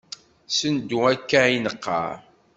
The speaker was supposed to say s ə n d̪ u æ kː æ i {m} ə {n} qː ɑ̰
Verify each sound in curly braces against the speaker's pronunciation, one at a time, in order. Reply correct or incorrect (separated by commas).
incorrect, incorrect